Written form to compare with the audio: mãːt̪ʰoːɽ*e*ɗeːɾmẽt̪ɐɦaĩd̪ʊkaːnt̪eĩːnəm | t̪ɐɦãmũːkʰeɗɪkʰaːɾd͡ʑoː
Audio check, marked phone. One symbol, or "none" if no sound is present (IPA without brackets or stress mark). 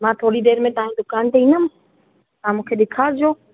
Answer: i